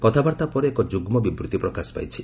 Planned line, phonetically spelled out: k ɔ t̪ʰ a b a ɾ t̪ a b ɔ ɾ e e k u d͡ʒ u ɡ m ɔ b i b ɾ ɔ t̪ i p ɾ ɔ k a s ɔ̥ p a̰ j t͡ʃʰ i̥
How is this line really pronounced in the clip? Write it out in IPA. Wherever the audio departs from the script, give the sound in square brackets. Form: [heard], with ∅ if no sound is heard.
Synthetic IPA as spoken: k ɔ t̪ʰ a b a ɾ t̪ a [p] ɔ ɾ e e k [ɔ] d͡ʒ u ɡ m ɔ b i b ɾ [u] t̪ i p ɾ ɔ k a s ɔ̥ p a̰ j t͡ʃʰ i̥